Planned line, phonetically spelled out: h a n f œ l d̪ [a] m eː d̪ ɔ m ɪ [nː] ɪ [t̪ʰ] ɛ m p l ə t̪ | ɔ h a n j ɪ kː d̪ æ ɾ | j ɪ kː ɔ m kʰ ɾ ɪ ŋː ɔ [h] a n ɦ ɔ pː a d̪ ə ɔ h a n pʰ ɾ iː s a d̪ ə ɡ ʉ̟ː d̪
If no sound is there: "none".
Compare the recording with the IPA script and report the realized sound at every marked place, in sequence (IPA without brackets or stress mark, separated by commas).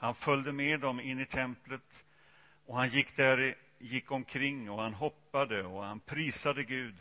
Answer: ə, nː, t̪ʰ, h